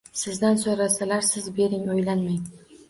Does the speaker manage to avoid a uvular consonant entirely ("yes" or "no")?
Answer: yes